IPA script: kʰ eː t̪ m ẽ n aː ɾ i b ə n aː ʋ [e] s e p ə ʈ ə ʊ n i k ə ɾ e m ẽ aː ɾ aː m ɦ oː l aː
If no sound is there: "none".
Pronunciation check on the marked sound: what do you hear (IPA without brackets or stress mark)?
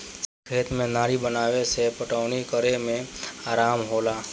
e